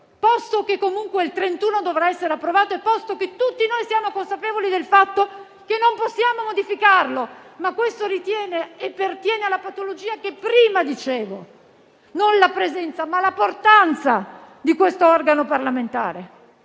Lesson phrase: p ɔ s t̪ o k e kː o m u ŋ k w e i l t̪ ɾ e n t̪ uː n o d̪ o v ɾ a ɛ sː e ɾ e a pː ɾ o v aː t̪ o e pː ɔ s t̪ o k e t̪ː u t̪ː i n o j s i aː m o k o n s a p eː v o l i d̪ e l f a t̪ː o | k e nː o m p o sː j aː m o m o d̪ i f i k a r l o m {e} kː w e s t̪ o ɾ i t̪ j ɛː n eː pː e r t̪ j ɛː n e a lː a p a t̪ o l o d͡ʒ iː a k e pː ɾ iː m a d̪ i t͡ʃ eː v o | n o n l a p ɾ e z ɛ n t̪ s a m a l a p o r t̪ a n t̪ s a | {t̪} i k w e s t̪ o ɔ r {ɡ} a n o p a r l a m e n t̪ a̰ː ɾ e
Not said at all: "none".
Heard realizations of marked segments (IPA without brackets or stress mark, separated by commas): a, d̪, ɡ